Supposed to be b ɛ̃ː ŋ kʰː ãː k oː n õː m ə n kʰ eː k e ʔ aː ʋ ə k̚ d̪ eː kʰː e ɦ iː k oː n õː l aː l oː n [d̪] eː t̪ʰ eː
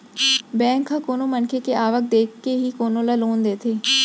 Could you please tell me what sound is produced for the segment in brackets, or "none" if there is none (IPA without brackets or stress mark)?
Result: d̪